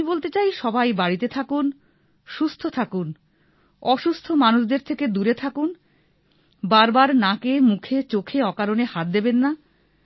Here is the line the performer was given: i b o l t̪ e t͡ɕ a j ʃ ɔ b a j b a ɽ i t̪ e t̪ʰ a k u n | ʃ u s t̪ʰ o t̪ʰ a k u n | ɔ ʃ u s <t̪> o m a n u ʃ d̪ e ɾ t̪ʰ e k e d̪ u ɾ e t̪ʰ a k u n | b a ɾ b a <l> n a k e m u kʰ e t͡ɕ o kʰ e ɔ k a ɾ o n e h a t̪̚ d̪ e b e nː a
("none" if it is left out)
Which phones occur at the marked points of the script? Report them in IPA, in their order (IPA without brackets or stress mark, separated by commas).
t̪ʰ, ɾ